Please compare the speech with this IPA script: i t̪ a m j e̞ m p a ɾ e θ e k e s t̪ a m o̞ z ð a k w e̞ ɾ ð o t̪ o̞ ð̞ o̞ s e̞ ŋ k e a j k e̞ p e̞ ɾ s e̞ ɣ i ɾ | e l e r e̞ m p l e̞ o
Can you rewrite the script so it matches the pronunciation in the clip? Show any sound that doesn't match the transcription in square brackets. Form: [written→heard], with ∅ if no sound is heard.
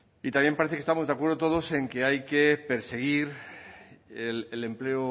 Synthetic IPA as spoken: i t̪ a m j e̞ m p a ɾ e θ e k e s t̪ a m o̞ z ð a k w e̞ ɾ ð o t̪ o̞ ð̞ o̞ s e̞ ŋ k e a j k e̞ p e̞ ɾ s e̞ ɣ i ɾ | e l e [r→l] e̞ m p l e̞ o